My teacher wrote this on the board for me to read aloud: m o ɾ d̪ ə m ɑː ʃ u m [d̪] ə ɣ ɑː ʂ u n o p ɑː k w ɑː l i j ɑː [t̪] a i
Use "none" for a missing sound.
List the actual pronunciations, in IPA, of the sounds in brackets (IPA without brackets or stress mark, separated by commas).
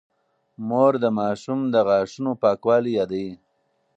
d̪, d̪